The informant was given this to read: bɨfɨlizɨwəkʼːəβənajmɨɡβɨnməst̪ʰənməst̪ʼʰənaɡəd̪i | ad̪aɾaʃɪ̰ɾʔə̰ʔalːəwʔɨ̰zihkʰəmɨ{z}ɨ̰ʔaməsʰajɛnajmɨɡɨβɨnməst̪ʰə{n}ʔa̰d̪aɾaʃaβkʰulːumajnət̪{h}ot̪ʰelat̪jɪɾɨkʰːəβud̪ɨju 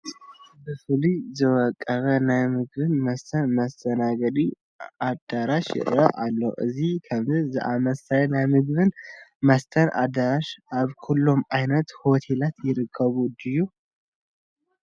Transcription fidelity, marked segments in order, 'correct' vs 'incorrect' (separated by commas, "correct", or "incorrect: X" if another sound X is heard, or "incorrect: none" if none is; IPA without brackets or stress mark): correct, correct, correct